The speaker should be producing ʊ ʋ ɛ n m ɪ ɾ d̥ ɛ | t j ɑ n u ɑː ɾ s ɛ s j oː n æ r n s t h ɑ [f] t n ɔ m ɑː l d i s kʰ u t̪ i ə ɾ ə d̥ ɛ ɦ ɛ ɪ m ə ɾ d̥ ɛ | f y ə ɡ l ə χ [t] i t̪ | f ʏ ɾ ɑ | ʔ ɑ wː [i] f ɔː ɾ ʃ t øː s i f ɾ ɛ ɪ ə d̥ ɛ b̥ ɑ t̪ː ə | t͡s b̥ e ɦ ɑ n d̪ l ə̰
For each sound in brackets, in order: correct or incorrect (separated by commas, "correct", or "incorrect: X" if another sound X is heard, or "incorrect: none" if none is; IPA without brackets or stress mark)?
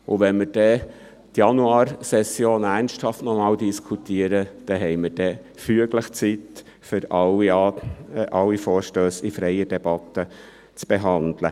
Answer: correct, incorrect: t͡s, correct